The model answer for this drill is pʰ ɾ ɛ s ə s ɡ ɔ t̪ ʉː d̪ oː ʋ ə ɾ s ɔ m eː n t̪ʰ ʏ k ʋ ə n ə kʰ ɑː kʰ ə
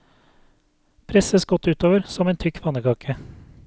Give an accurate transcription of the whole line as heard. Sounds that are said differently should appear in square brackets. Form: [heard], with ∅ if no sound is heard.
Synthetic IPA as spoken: pʰ ɾ ɛ s ə s ɡ ɔ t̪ ʉː [t̪] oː ʋ ə ɾ s ɔ m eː n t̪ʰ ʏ k ʋ [ɑ] n ə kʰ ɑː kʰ ə